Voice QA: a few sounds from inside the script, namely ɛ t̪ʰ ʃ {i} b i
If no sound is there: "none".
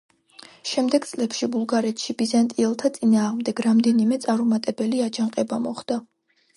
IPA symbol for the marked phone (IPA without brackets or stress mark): i